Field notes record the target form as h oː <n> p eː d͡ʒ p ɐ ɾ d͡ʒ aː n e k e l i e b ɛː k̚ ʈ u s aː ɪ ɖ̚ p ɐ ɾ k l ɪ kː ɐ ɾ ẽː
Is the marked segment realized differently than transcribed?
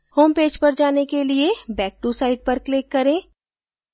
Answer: yes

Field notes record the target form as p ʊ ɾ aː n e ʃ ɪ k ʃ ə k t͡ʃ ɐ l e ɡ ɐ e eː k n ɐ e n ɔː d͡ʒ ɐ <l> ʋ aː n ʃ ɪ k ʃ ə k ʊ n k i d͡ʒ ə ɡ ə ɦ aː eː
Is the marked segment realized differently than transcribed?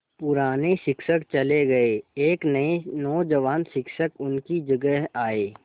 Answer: yes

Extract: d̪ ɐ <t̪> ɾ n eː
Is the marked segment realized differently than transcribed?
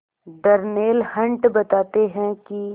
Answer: yes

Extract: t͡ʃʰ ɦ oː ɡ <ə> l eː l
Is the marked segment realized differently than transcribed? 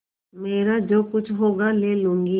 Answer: yes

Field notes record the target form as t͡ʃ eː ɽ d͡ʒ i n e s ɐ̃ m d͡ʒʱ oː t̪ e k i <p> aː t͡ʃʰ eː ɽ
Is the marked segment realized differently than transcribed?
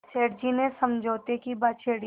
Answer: yes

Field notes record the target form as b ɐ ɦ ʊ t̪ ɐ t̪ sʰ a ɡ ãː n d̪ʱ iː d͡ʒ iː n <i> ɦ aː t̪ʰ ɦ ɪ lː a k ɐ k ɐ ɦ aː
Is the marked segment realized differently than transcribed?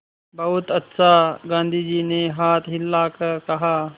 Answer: yes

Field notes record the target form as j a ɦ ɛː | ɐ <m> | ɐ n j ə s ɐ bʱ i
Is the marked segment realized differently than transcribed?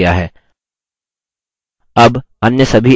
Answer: yes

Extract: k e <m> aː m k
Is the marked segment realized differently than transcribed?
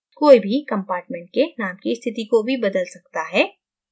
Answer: yes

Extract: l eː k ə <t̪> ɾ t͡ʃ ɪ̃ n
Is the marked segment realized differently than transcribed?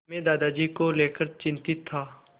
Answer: yes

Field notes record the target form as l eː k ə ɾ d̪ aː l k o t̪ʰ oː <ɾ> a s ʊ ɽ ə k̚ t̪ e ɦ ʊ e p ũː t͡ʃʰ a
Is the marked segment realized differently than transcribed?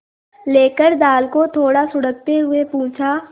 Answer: yes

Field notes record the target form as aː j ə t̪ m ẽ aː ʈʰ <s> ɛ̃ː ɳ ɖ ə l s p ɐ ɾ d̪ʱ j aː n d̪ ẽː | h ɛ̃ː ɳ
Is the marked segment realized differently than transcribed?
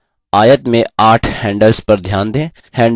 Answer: yes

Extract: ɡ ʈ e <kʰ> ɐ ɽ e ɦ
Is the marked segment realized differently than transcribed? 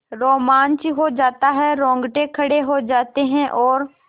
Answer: no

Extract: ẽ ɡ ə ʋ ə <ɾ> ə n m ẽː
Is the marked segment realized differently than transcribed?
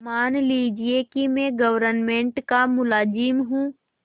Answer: no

